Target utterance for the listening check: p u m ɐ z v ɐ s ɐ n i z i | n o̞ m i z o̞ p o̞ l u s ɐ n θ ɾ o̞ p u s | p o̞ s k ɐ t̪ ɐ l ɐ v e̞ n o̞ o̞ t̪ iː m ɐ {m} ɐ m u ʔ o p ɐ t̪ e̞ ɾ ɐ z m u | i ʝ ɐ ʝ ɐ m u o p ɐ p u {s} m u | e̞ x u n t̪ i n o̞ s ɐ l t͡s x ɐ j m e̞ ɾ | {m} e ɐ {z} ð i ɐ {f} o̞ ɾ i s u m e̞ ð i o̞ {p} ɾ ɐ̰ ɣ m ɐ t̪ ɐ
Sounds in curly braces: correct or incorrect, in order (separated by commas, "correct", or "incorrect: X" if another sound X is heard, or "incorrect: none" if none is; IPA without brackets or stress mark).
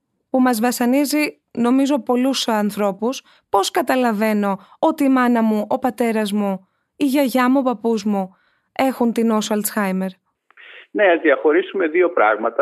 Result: incorrect: n, incorrect: z, incorrect: n, correct, incorrect: x, correct